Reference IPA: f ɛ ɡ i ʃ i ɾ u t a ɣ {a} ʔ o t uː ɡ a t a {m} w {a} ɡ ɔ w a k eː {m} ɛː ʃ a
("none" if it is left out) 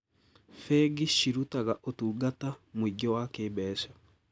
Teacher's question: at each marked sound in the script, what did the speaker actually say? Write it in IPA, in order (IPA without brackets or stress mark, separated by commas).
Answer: a, m, i, b